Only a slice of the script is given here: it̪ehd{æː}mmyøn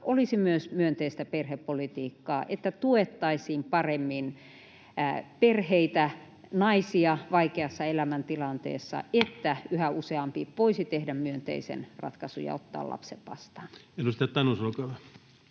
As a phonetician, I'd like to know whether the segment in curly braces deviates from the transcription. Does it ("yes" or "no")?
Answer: yes